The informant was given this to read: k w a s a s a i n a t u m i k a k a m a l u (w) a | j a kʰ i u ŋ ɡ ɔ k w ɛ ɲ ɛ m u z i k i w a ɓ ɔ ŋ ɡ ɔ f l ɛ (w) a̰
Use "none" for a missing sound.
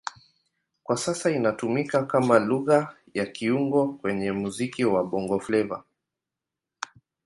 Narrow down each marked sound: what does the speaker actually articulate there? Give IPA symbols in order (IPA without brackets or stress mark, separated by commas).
ɣ, v